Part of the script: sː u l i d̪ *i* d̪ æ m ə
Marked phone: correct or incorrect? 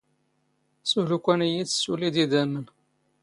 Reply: correct